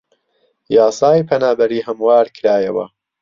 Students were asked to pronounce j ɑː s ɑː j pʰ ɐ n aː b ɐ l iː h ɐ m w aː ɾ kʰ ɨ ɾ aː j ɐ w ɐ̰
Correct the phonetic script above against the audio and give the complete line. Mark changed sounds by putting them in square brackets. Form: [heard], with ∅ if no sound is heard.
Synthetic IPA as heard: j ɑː s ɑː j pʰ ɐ n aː b ɐ [ɾ] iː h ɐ m w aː ɾ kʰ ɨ ɾ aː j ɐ w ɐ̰